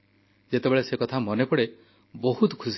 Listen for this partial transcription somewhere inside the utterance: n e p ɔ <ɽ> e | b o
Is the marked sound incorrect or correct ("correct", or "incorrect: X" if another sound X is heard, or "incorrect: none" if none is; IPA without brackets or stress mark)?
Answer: correct